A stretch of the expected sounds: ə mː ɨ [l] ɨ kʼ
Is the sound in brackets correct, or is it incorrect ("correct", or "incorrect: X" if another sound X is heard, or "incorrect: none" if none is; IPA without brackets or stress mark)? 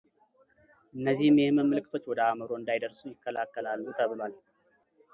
correct